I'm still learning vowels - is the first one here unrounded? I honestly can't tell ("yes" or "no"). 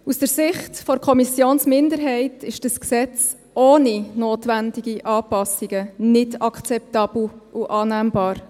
no